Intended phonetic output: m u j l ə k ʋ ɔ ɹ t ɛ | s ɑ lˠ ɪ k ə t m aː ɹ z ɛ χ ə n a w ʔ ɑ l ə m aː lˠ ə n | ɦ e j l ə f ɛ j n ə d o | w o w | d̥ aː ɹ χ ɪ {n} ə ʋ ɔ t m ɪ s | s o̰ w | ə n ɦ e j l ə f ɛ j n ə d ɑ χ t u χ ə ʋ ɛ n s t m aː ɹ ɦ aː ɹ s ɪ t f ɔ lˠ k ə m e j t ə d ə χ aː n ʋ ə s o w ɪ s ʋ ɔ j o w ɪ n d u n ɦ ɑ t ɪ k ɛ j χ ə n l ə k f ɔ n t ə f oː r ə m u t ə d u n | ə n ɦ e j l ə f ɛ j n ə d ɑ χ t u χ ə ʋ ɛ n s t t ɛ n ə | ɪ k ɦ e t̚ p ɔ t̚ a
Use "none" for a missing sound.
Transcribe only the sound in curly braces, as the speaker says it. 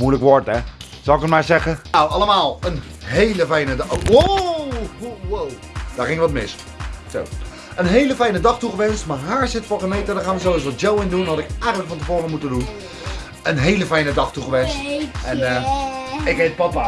ŋ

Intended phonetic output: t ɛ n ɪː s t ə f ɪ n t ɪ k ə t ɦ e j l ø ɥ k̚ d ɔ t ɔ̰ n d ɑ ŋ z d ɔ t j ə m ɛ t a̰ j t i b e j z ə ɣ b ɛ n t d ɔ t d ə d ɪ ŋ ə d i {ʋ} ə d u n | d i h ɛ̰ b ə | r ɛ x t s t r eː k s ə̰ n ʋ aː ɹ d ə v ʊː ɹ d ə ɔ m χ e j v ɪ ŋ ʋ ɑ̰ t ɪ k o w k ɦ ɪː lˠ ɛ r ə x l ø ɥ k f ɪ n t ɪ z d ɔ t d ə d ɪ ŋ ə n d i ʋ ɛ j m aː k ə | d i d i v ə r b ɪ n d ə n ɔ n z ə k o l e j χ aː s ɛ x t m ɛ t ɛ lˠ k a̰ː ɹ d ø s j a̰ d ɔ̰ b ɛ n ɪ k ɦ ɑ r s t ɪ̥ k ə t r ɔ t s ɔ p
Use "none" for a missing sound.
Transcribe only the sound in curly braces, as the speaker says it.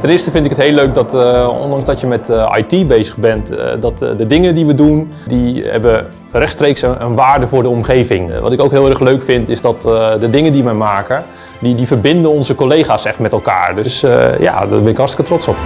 ʋ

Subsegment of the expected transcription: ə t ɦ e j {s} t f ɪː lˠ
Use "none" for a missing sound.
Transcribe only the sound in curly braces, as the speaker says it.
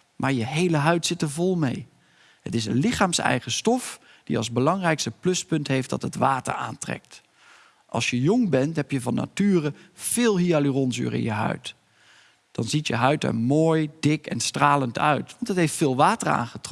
f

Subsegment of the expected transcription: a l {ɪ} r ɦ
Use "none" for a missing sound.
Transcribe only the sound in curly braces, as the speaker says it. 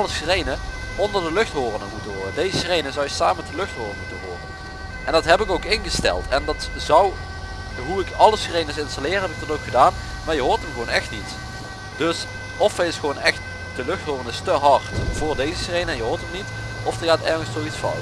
ɪː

